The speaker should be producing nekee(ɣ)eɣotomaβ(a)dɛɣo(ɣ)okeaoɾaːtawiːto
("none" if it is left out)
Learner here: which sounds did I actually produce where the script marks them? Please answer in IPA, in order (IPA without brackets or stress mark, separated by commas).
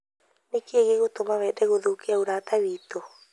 ɣ, ɛ, ð